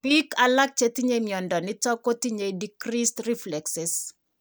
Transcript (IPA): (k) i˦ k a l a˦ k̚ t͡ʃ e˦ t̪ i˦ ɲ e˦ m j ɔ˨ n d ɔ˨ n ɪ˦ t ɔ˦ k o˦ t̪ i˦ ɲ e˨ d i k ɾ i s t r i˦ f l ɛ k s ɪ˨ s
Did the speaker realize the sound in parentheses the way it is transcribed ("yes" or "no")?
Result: no